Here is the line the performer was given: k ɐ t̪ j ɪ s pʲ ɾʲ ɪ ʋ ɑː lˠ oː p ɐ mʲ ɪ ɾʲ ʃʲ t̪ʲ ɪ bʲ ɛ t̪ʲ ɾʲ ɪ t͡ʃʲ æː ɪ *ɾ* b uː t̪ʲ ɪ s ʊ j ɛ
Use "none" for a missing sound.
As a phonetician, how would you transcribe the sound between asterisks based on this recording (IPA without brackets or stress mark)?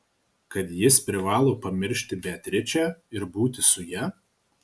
ɾ